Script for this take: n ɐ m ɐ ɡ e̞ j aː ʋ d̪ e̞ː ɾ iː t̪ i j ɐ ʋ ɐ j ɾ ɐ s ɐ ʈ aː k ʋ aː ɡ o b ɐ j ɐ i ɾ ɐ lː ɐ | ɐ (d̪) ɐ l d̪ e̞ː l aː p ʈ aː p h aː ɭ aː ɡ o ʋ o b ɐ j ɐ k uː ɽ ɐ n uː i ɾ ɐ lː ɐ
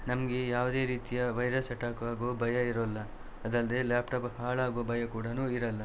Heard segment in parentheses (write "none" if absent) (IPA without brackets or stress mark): d̪